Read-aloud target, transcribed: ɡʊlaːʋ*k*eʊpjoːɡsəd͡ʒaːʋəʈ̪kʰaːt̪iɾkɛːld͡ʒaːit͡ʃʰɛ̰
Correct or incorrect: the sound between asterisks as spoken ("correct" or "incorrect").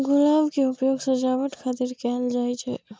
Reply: correct